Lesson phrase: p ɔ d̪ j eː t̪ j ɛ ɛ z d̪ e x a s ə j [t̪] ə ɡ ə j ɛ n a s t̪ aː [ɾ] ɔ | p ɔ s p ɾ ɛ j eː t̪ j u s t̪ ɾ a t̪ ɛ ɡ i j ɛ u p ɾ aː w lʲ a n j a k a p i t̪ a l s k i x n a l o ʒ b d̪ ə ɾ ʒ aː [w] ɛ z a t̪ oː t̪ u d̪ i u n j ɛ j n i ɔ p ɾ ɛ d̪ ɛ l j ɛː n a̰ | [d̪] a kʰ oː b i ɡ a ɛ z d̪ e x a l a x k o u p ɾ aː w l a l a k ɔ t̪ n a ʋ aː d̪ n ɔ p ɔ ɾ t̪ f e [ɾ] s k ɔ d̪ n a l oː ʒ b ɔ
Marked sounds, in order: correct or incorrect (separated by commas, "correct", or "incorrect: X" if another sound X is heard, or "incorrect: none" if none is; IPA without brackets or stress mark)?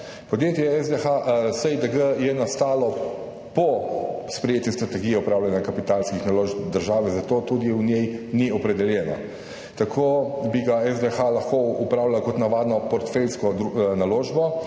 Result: incorrect: d̪, incorrect: l, incorrect: ʋ, incorrect: t̪, incorrect: l